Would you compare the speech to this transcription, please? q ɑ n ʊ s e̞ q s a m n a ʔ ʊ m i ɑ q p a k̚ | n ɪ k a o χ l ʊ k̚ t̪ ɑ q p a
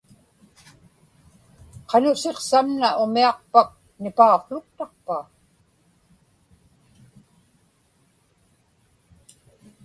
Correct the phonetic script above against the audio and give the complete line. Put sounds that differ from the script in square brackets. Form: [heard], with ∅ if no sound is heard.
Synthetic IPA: q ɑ n ʊ s e̞ q s a m n a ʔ ʊ m i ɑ q p a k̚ | n ɪ [p] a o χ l ʊ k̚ t̪ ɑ q p a